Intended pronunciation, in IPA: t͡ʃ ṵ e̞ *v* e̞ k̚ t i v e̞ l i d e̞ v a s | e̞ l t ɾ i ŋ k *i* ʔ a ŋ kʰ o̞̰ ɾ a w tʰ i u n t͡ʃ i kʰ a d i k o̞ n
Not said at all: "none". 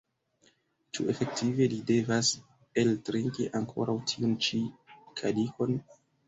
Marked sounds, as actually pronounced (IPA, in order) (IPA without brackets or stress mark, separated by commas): f, i